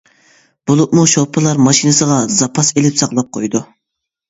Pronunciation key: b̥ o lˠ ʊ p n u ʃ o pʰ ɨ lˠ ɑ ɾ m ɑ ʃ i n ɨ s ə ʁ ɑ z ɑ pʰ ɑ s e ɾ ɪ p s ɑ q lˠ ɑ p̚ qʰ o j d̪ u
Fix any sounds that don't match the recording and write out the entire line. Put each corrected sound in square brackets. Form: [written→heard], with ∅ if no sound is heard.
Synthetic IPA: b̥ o lˠ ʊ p [n→m] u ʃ o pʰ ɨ lˠ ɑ ɾ m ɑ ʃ i n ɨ s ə ʁ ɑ z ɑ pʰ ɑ s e [ɾ→l] ɪ p s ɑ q lˠ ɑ p̚ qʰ o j d̪ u